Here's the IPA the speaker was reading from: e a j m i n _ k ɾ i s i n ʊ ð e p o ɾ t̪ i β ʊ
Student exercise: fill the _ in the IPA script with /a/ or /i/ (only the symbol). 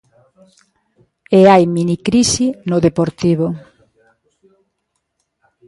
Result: i